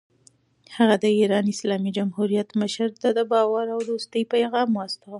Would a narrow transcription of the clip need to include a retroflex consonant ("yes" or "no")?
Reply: no